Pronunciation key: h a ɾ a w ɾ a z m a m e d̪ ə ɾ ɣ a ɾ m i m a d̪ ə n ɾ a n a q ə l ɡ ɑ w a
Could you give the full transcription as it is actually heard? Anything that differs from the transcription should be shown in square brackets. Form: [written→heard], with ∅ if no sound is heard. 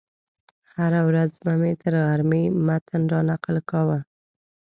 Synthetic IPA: h a ɾ a w ɾ a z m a m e [d̪→t̪] ə ɾ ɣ a ɾ m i m a [d̪→t̪] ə n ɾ [a→ɑ] n a q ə l [ɡ→k] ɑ w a